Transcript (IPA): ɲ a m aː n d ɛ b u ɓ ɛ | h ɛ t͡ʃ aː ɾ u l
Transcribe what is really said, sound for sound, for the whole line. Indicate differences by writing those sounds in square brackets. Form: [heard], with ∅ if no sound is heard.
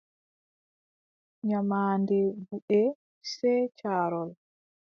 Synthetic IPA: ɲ a m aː n d ɛ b u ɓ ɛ | [s] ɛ t͡ʃ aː ɾ [ɔ] l